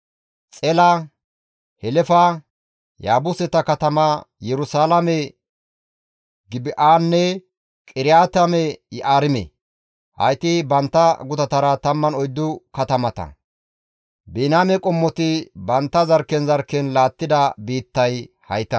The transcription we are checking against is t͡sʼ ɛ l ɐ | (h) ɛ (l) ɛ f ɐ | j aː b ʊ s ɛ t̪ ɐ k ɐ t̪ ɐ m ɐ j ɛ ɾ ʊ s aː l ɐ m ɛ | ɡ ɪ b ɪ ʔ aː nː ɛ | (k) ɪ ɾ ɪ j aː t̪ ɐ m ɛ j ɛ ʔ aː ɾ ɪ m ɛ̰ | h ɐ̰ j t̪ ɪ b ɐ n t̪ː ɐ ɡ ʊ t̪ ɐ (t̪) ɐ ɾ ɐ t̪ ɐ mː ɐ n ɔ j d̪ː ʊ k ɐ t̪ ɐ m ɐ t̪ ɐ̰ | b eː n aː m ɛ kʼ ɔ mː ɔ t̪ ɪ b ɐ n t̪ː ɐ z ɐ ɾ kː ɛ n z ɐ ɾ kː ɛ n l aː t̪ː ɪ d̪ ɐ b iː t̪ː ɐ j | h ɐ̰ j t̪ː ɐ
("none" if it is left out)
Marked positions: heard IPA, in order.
h, l, kʼ, t̪

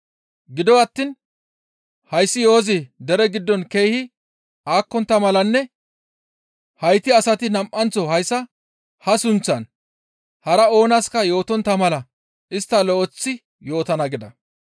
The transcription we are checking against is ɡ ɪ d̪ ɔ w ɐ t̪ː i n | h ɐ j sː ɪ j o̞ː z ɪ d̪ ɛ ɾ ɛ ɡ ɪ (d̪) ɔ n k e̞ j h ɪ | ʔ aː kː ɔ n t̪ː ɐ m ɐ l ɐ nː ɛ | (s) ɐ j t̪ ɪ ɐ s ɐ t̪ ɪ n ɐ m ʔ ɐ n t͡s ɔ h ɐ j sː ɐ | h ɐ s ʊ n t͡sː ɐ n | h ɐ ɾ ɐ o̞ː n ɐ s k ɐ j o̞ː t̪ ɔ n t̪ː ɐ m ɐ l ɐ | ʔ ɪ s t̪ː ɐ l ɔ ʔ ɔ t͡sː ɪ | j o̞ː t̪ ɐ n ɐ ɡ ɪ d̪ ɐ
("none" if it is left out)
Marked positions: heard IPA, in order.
d̪ː, h

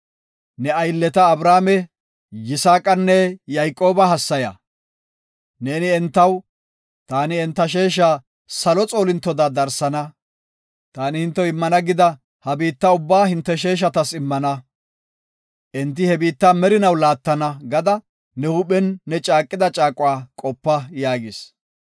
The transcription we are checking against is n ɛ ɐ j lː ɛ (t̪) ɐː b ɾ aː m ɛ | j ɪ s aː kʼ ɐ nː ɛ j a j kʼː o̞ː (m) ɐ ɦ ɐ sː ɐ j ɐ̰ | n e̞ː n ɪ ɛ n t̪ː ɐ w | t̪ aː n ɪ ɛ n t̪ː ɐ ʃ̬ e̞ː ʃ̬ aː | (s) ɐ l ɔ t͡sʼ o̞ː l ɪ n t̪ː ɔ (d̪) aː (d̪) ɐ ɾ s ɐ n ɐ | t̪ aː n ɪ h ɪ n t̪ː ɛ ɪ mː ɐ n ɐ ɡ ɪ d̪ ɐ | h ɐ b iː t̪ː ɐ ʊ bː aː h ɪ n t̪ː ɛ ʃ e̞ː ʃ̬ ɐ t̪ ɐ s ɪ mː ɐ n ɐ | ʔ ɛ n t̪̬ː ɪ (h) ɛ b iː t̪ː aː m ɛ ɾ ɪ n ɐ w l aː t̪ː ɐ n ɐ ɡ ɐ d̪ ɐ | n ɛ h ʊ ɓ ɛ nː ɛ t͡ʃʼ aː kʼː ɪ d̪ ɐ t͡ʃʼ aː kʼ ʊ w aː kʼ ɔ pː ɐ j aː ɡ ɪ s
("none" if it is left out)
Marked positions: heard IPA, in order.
t̪, b, s, d̪, d̪, h

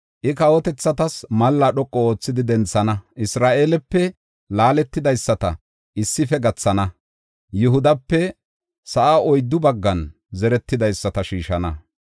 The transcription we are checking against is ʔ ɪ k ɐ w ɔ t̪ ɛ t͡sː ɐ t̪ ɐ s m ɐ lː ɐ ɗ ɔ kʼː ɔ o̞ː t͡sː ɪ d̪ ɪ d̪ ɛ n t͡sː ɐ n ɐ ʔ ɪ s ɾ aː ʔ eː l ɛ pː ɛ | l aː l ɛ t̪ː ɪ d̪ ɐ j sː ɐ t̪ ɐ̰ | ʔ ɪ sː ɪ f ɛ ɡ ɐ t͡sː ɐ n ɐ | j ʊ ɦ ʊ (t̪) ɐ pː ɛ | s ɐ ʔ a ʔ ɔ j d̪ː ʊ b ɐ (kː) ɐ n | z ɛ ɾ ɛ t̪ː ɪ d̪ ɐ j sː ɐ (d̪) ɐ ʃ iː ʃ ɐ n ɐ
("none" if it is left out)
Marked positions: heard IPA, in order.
d̪, ɡː, t̪

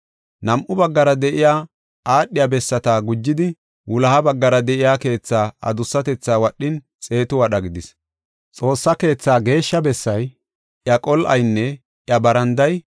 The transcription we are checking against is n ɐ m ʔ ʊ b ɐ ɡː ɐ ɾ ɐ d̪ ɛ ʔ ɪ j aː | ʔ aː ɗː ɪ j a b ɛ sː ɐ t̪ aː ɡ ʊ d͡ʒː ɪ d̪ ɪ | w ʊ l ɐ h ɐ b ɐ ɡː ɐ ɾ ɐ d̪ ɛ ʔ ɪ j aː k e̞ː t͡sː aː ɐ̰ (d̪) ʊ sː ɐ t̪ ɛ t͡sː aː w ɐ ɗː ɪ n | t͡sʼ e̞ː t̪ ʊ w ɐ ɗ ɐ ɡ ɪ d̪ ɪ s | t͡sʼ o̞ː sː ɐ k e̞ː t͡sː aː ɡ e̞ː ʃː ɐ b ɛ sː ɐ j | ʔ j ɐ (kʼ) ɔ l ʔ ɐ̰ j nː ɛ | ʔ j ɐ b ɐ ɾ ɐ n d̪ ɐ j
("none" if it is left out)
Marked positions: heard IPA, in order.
d̪, kʼ

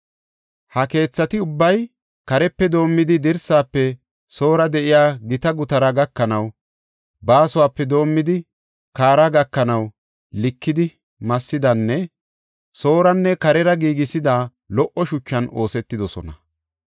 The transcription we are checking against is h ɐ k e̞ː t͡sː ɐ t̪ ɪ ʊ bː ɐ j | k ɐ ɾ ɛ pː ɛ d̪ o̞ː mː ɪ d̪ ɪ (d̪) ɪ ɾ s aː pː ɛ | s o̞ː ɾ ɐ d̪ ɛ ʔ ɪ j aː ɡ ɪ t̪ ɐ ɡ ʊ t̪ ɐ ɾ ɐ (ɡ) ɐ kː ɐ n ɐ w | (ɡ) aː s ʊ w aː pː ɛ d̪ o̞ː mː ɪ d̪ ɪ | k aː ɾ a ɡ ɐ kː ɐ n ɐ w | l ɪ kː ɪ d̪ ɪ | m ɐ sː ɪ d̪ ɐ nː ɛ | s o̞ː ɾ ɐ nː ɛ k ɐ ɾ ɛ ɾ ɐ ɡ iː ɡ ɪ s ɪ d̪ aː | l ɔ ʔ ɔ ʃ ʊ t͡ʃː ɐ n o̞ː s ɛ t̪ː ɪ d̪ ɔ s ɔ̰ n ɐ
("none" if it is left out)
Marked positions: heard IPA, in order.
d̪, ɡ, b

